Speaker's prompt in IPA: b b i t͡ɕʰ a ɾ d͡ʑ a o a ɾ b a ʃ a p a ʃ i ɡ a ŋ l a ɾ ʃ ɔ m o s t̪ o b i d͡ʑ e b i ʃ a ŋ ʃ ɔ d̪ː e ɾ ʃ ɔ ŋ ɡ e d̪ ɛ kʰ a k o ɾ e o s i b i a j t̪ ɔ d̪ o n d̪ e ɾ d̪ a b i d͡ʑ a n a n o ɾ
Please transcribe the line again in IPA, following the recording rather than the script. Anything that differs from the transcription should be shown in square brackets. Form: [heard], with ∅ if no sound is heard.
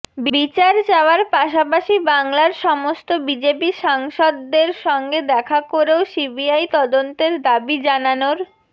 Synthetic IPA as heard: b b i [t͡ɕ] a ɾ d͡ʑ a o a ɾ [p] a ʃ a p a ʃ i [b] a ŋ l a ɾ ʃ ɔ m o s t̪ o b i d͡ʑ e [p] i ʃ a ŋ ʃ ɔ d̪ː e ɾ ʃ ɔ ŋ ɡ e d̪ ɛ kʰ a k o ɾ e o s i b i a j t̪ ɔ d̪ o n [t̪] e ɾ d̪ a b i d͡ʑ a n a n o ɾ

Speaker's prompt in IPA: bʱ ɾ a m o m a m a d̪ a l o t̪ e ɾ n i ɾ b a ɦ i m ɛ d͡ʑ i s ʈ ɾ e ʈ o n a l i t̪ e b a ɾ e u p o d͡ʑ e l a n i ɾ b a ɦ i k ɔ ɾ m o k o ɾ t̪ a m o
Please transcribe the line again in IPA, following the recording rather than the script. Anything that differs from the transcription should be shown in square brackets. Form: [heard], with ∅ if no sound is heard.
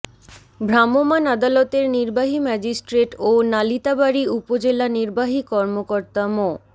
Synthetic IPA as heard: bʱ ɾ a m o m a [n] a d̪ a l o t̪ e ɾ n i ɾ b a ɦ i m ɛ d͡ʑ i s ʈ ɾ e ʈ o n a l i t̪ [a] b a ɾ [i] u p o d͡ʑ e l a n i ɾ b a ɦ i k ɔ ɾ m o k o ɾ t̪ a m o

